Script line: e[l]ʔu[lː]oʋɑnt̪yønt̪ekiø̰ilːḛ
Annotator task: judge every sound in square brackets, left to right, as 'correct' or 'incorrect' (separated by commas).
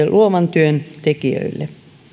correct, incorrect